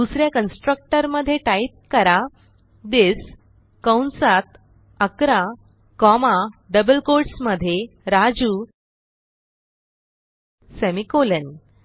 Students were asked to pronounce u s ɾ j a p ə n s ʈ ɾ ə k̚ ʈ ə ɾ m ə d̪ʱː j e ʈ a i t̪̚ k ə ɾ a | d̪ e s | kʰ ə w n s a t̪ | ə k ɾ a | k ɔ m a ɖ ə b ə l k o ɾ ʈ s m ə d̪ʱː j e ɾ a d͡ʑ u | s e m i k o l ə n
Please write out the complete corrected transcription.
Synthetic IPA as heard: u s ɾ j a k ə n s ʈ ɾ ə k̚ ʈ ə ɾ m ə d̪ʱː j e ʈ a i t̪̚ k ə ɾ a | d̪ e s | k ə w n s a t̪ | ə k ɾ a | k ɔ m a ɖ ə b ə l k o ɾ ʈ s m ə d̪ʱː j e ɾ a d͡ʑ u | s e m i k o l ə n